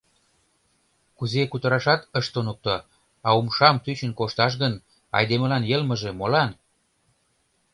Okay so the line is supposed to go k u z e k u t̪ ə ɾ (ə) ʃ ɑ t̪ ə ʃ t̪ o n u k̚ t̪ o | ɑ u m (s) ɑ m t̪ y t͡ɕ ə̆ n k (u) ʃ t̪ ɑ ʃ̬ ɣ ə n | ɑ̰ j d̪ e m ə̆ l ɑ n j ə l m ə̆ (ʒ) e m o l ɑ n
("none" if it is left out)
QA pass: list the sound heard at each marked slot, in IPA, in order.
ɑ, ʃ, o, ʒ

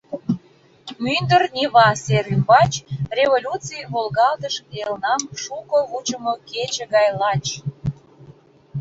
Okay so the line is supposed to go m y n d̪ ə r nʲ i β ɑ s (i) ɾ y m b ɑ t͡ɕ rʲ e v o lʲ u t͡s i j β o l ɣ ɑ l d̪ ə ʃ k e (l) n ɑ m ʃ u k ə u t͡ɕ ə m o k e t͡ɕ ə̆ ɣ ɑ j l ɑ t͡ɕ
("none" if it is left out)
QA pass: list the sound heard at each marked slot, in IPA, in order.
e, l

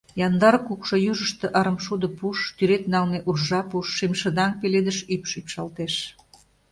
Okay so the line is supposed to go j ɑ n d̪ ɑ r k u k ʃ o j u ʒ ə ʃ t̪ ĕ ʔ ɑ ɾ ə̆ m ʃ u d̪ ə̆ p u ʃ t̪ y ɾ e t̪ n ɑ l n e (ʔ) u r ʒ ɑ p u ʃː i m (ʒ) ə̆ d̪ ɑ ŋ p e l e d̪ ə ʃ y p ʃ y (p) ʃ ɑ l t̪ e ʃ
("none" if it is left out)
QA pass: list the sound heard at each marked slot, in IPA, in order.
ʔ, ʃ, p

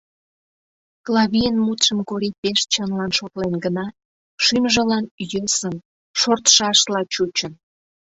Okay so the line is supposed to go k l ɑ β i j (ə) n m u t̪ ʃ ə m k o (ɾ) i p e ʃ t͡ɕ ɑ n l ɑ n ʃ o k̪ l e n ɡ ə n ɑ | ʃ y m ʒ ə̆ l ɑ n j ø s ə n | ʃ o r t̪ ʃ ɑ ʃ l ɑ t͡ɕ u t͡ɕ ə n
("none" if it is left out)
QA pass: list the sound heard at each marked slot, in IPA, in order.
ə, ɾ

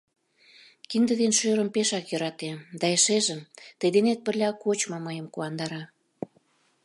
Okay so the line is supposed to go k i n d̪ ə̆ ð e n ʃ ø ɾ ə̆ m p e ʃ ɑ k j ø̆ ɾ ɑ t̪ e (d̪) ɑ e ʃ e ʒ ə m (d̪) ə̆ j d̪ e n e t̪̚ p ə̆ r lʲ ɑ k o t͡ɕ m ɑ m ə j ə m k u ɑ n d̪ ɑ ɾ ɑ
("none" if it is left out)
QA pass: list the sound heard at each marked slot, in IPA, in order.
d̪, t̪

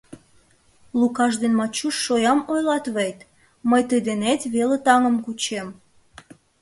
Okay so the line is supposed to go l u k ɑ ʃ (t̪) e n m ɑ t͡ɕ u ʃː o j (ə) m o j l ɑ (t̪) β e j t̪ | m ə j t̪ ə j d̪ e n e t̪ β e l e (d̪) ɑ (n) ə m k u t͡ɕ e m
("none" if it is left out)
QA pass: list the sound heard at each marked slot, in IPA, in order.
d̪, ɑ, t̪, t̪, ŋ

